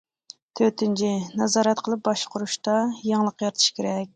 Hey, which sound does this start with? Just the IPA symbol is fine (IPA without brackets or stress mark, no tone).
t̪ʰ